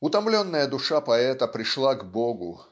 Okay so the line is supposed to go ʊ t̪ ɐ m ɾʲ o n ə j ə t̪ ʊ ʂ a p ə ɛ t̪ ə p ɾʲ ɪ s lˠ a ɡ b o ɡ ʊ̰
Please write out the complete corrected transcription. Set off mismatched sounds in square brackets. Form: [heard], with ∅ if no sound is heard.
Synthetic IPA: ʊ t̪ ɐ m [lʲ] o [nː] ə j ə [d̪] ʊ ʂ a p [ɐ] ɛ t̪ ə p ɾʲ ɪ [ʂ] lˠ a ɡ b o ɡ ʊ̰